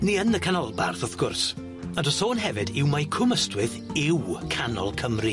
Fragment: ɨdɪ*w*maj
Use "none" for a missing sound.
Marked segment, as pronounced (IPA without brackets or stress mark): w